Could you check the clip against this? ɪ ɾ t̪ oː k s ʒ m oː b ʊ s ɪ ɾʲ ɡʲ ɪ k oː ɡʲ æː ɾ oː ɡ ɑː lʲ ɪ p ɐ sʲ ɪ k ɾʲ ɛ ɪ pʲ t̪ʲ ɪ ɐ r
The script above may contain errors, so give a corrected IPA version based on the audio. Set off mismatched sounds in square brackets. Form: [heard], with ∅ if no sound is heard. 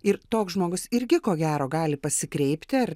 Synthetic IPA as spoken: ɪ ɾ t̪ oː k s ʒ m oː [ɡ] ʊ s ɪ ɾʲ ɡʲ ɪ k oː ɡʲ æː ɾ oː ɡ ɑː lʲ ɪ p ɐ sʲ ɪ k ɾʲ ɛ ɪ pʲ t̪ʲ ɪ ɐ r